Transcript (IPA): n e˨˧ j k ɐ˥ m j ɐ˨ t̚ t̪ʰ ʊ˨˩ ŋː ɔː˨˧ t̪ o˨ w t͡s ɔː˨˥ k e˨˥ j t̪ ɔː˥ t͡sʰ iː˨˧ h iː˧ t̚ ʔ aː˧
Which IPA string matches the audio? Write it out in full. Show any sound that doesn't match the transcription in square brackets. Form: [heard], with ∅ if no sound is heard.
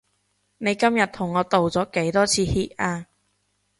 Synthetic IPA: n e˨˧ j k ɐ˥ m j ɐ˨ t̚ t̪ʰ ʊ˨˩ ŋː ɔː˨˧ t̪ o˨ w t͡s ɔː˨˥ k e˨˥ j t̪ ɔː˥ t͡sʰ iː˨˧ h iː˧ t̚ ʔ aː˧